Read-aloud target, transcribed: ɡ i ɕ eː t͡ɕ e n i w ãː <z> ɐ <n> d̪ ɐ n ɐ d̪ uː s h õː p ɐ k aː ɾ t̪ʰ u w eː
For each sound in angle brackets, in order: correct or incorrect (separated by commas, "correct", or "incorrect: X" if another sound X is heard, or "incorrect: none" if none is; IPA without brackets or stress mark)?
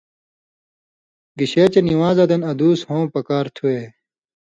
correct, incorrect: none